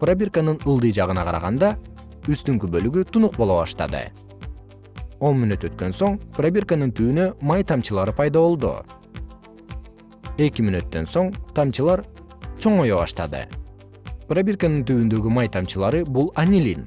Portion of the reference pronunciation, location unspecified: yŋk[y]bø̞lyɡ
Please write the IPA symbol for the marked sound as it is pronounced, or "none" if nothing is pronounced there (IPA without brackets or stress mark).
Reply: y